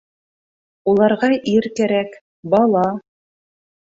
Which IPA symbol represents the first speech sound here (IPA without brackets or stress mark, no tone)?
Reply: u